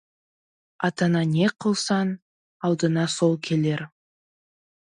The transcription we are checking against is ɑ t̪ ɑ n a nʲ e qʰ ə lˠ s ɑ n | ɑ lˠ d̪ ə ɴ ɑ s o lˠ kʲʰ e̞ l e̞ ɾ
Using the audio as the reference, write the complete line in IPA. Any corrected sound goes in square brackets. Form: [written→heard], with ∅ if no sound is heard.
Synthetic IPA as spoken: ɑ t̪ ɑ n [a→ɑ] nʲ e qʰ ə lˠ s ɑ n | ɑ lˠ d̪ ə [ɴ→n] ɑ s o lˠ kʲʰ e̞ l e̞ ɾ

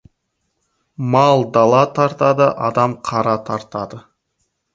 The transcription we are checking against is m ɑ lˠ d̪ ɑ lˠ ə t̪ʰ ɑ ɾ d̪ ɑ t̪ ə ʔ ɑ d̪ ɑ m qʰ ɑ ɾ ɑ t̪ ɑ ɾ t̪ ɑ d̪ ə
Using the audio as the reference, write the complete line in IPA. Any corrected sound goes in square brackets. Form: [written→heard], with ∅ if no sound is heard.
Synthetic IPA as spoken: m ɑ lˠ d̪ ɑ lˠ [ə→ɑ] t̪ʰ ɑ ɾ [d̪→t̪] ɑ [t̪→d̪] ə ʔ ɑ d̪ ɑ m qʰ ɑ ɾ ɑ [t̪→t̪ʰ] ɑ ɾ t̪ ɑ d̪ ə

